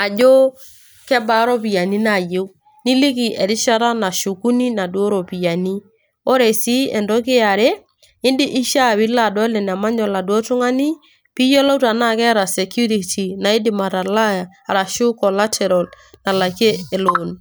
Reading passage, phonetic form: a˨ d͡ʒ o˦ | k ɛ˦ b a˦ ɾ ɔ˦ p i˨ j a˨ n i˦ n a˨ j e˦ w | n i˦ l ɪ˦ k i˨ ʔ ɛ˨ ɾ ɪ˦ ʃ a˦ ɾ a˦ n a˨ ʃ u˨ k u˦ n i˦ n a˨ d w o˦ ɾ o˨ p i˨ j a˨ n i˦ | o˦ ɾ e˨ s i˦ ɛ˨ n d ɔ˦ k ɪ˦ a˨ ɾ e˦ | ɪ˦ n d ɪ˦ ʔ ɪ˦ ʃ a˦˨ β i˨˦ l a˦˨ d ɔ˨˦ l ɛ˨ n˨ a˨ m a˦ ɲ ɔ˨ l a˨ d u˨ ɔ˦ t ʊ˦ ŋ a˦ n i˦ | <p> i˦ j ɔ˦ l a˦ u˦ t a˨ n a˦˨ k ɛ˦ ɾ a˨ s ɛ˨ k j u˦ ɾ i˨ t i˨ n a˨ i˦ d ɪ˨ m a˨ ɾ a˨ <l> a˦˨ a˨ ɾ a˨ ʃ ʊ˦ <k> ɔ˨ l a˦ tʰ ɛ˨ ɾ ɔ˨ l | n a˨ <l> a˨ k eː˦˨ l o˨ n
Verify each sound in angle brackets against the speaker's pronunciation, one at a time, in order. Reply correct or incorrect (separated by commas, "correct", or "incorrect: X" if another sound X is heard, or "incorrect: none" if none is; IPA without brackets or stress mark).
correct, correct, correct, correct